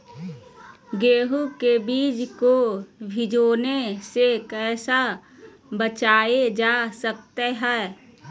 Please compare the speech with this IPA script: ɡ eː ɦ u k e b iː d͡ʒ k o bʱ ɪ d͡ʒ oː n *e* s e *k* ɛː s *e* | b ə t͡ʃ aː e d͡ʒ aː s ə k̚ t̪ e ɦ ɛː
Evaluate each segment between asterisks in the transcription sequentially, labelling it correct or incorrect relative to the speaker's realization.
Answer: correct, correct, incorrect: a

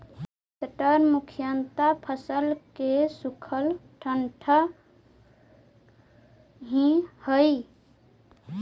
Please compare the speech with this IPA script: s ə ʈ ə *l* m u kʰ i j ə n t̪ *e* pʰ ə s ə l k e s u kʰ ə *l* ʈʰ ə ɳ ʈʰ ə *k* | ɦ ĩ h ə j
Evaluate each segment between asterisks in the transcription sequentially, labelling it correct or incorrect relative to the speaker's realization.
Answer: incorrect: ɾ, incorrect: a, correct, incorrect: none

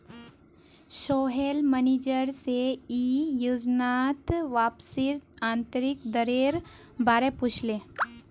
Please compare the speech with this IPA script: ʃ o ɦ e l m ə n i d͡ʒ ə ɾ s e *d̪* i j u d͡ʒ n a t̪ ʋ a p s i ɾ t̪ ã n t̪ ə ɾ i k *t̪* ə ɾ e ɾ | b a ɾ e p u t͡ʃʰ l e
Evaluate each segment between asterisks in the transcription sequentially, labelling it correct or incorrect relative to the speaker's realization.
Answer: incorrect: none, incorrect: d̪

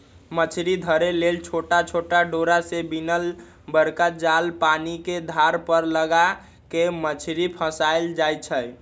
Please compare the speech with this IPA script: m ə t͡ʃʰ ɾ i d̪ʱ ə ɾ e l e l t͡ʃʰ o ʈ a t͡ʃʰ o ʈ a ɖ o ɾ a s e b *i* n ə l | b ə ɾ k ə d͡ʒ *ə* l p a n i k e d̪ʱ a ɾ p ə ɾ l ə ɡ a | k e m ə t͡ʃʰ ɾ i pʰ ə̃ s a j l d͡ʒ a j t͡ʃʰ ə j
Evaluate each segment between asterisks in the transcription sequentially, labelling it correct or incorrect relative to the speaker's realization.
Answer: correct, incorrect: a

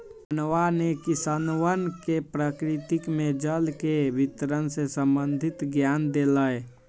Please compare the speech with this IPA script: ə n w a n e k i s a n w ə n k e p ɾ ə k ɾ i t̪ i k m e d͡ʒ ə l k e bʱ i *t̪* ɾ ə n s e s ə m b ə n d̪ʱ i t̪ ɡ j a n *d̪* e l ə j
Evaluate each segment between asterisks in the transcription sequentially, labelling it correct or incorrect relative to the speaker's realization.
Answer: correct, correct

